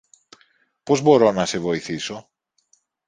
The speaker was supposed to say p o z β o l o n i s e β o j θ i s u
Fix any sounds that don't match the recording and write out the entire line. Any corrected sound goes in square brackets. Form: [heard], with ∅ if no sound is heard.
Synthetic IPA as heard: p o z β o [ɾ] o n [a] s e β o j θ i s [o]